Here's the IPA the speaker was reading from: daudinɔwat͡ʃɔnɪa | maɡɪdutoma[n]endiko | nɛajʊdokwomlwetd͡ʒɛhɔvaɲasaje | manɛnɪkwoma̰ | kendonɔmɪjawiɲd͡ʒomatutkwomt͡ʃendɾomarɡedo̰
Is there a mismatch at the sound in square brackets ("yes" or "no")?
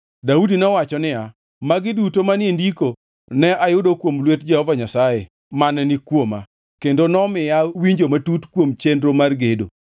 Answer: no